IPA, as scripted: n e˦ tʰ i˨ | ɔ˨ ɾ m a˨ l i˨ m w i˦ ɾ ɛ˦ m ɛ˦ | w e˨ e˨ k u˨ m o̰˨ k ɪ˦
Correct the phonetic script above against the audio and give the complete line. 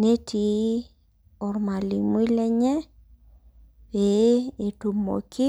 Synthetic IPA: n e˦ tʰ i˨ | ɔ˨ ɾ m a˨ l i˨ m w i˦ l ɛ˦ ɲ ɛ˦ | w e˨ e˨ t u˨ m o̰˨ k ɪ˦